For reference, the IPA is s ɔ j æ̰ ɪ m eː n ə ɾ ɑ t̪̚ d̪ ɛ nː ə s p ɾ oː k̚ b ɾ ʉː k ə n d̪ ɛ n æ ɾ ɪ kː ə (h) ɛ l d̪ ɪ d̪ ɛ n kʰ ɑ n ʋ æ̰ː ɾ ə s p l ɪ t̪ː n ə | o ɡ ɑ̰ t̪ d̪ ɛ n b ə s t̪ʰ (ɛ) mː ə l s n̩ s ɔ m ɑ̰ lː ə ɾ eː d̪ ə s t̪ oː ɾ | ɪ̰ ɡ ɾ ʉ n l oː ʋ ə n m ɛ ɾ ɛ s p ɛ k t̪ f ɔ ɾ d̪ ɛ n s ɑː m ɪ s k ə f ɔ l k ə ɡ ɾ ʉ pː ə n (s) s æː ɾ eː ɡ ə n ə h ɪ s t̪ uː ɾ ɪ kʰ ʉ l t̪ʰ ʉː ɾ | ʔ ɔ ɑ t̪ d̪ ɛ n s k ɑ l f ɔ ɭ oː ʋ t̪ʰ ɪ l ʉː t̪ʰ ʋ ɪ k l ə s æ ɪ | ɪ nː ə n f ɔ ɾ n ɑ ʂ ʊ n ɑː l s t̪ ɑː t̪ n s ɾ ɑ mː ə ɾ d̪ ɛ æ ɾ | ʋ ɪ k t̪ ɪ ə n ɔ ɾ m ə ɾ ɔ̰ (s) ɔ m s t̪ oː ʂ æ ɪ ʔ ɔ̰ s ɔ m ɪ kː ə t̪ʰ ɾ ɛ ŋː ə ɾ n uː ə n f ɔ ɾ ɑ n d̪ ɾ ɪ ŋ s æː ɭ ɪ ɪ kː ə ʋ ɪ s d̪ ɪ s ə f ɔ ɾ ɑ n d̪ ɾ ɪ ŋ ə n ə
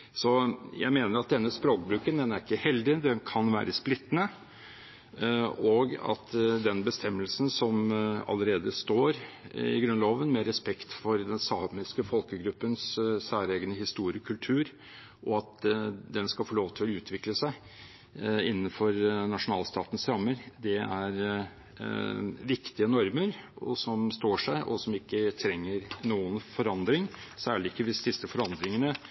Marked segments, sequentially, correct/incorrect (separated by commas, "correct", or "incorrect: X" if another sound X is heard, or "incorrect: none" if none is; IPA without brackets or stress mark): correct, correct, correct, correct